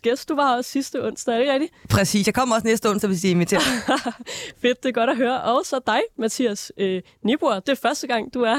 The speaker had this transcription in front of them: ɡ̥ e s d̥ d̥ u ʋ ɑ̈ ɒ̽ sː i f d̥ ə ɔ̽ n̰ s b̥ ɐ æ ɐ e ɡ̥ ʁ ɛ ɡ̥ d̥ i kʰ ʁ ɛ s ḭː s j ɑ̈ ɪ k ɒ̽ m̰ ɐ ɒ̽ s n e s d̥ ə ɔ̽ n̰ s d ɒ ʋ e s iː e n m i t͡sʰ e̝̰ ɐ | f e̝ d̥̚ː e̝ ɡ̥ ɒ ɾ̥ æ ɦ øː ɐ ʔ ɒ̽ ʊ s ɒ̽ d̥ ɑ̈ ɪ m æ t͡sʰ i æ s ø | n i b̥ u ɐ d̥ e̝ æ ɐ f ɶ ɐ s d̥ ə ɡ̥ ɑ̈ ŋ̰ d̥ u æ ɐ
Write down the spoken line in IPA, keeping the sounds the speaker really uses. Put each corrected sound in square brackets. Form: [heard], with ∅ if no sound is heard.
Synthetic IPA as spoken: ɡ̥ e s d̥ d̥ u ʋ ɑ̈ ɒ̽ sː i [s] d̥ ə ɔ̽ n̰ s [d̥] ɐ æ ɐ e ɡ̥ ʁ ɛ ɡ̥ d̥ i [pʰ] ʁ ɛ s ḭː s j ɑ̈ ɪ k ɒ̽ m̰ ɐ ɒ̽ s n e s d̥ ə ɔ̽ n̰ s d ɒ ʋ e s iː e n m i t͡sʰ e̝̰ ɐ | f e̝ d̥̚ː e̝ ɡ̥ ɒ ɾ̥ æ ɦ øː ɐ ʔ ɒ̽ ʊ s ɒ̽ d̥ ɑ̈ ɪ m æ t͡sʰ i æ s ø | n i b̥ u ɐ d̥ e̝ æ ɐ f ɶ ɐ s d̥ ə ɡ̥ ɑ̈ ŋ̰ d̥ u æ ɐ